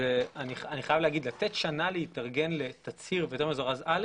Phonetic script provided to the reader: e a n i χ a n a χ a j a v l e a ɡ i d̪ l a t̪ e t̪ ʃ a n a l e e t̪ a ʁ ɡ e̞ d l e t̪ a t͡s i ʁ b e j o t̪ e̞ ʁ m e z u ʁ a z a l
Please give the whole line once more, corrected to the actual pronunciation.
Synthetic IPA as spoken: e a n i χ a n i χ a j a v l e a ɡ i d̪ l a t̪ e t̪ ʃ a n a l e i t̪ a ʁ ɡ e̞ n l e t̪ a t͡s i ʁ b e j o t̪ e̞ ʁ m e z o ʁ a z a l